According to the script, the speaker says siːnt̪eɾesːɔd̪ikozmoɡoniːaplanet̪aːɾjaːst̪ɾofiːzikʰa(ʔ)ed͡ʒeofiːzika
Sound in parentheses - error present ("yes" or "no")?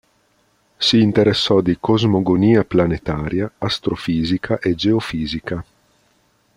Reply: no